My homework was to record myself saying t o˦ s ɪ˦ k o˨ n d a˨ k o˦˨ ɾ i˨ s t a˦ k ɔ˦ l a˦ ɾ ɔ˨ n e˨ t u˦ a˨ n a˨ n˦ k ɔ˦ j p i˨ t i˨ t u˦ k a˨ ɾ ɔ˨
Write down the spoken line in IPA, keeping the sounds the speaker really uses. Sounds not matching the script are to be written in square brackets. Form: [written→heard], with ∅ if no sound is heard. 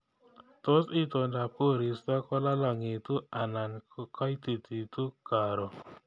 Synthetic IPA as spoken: t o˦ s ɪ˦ [k→t] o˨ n d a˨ [k→p] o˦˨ ɾ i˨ s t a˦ k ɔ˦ l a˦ [ɾ→l] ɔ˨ [n→ŋ] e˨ t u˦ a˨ n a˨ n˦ k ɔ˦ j [p→t] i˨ t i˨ t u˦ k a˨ ɾ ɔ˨